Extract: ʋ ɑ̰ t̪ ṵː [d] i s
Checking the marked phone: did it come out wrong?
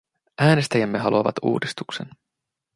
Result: no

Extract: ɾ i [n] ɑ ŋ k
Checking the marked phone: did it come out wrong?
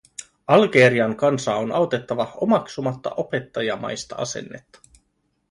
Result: yes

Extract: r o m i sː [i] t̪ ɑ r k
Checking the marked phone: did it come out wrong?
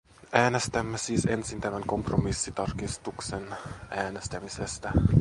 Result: no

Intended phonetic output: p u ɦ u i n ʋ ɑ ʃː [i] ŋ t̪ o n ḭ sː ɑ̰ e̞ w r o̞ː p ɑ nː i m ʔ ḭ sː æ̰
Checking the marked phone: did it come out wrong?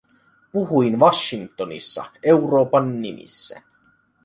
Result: no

